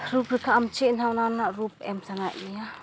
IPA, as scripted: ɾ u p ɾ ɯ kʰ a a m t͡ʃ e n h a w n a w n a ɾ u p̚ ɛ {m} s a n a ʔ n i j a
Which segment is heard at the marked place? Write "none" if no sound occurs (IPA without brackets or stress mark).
m